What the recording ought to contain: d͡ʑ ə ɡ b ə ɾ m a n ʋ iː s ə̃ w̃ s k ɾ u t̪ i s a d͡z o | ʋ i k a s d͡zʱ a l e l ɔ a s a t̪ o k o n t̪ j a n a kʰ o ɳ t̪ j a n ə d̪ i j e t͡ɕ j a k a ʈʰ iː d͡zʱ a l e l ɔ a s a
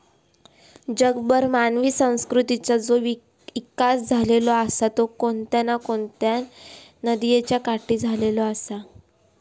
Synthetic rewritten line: d͡ʑ ə ɡ b ə ɾ m a n ʋ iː s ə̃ w̃ s k ɾ u t̪ i t͡s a d͡z o | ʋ i k a s d͡zʱ a l e l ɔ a s a t̪ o k o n t̪ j a n a k o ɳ t̪ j a n ə d̪ i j e t͡ɕ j a k a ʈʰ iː d͡zʱ a l e l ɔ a s a